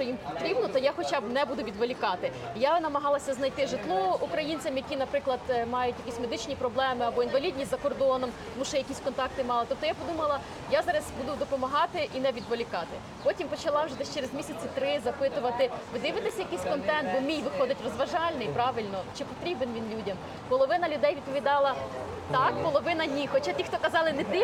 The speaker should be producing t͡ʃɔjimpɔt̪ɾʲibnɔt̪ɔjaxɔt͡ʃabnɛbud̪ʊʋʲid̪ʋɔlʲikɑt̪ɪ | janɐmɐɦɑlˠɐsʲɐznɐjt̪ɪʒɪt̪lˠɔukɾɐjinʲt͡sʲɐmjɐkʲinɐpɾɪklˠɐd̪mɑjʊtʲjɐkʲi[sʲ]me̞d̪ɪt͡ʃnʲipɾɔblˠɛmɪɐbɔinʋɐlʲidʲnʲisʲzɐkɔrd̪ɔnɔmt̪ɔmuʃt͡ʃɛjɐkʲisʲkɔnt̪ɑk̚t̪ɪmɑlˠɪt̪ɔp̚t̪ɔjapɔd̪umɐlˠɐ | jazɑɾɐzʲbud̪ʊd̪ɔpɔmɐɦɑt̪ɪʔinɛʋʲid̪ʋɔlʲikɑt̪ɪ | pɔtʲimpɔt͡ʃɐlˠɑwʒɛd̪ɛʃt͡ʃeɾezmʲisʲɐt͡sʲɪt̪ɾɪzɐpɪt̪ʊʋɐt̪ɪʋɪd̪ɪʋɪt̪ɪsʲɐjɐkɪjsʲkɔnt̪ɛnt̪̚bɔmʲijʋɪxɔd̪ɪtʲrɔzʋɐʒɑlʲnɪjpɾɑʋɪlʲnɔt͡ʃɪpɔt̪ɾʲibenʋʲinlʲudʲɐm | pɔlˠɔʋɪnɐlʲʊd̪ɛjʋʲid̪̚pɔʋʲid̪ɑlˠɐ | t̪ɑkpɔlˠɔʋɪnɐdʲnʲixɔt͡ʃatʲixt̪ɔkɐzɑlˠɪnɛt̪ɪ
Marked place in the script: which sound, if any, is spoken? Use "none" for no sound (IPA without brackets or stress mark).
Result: sʲ